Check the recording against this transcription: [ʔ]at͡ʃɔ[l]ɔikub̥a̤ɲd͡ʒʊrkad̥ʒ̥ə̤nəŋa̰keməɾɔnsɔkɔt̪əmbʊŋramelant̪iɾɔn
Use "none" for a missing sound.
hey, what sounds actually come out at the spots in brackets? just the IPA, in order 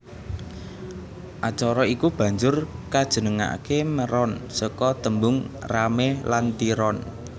ʔ, ɾ

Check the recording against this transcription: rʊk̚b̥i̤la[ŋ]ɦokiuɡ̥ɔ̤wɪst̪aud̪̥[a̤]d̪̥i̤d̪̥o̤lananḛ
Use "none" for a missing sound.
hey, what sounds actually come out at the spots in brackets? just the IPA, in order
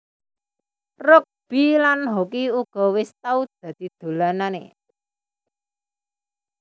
n, a̤

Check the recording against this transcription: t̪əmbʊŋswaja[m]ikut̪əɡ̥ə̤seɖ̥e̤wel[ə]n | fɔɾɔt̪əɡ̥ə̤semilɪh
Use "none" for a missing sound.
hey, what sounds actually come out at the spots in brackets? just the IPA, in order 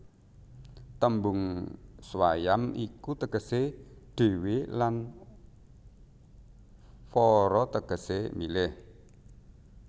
m, a

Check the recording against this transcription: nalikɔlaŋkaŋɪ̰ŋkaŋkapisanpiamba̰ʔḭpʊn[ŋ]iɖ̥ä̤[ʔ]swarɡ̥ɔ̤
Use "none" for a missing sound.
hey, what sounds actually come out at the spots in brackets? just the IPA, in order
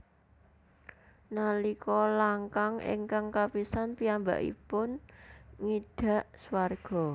ŋ, ʔ

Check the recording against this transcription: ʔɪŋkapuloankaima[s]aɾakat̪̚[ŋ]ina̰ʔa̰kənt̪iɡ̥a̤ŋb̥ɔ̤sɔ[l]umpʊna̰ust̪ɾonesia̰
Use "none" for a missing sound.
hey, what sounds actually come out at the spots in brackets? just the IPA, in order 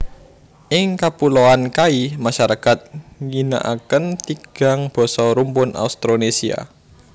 ʃ, ŋ, ɾ

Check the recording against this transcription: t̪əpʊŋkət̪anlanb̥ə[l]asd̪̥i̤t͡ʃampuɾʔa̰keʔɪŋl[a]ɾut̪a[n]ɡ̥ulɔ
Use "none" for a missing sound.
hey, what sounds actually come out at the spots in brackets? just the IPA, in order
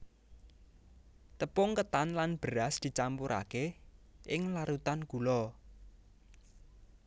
ɾ, a, n

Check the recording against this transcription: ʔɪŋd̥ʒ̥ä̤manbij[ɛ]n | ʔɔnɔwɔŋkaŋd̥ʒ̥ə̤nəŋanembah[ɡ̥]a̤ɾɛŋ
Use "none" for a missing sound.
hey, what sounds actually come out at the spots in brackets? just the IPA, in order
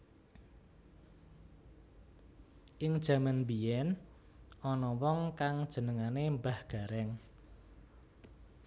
ɛ, ɡ̥

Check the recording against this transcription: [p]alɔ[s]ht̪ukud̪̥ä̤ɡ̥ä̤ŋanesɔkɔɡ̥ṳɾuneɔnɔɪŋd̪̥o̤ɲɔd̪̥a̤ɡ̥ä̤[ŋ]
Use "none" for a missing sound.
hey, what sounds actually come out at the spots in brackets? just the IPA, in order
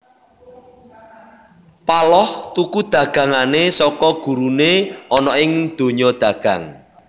p, none, ŋ

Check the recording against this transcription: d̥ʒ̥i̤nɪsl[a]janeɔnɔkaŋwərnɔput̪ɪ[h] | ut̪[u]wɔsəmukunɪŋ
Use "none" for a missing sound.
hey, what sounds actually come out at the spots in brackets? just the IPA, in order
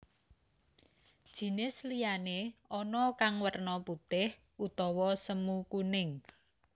i, h, ɔ

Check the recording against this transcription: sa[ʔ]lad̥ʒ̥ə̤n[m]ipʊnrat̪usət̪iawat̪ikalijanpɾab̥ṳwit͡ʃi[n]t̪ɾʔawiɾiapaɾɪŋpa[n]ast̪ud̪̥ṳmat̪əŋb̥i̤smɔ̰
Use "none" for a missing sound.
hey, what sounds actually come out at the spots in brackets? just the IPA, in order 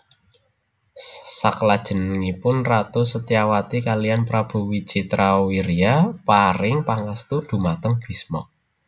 k, ŋ, none, ŋ

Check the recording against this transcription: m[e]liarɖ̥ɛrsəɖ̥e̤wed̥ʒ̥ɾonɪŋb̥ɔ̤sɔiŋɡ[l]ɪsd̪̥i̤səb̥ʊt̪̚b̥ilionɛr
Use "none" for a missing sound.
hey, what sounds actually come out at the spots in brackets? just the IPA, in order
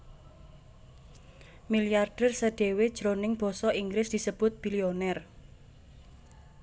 i, ɾ

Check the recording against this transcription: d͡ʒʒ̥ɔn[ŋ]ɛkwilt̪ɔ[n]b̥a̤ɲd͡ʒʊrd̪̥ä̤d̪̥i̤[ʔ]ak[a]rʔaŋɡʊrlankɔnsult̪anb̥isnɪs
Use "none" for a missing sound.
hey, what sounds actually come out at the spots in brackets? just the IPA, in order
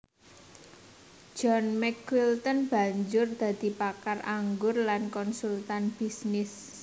m, n, p, a

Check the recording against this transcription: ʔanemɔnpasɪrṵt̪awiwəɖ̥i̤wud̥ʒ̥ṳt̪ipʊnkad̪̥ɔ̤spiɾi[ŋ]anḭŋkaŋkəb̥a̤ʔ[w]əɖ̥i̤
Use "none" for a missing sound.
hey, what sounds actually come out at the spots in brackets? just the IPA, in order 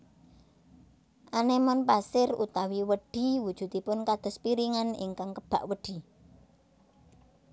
ŋ, w

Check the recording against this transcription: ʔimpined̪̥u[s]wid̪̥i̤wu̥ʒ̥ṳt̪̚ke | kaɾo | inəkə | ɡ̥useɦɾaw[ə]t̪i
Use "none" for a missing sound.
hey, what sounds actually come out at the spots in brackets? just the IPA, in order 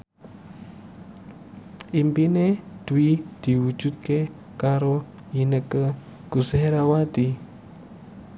none, a

